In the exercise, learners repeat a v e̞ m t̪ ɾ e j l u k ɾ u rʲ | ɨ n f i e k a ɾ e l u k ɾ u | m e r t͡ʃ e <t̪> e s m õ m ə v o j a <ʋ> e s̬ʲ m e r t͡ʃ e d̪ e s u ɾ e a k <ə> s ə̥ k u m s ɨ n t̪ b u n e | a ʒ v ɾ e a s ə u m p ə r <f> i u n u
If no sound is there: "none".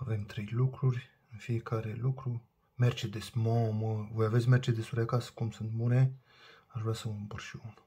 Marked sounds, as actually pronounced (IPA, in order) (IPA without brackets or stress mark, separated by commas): d̪, v, a, ʃ